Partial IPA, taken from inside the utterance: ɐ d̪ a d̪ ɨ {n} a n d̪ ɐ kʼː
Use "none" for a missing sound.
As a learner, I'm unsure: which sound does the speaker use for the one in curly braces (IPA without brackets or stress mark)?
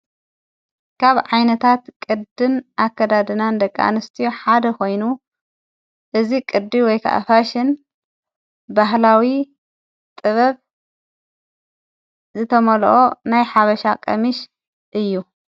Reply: n